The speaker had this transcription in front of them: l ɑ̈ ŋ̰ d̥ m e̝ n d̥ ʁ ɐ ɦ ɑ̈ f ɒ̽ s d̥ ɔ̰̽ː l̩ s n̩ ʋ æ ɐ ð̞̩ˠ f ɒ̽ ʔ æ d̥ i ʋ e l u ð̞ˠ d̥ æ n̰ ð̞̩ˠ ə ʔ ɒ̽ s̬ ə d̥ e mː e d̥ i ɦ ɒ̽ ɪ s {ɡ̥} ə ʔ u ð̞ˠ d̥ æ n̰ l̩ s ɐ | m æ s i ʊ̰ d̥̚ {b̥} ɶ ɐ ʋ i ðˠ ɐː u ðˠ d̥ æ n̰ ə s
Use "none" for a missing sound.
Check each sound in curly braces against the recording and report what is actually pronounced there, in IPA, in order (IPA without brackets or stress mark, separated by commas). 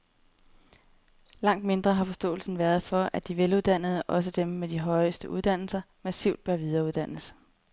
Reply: d̥, b̥